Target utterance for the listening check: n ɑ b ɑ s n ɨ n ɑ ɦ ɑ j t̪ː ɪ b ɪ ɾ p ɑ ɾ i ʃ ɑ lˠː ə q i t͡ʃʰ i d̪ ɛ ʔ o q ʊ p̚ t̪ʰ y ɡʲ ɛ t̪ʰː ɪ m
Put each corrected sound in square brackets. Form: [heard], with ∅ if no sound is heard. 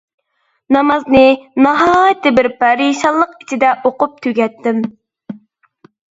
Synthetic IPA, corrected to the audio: n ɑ [m] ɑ [z] n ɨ n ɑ ɦ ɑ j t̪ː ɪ b ɪ ɾ p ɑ ɾ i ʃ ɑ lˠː ə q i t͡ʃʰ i d̪ ɛ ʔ o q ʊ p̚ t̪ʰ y ɡʲ ɛ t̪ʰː ɪ m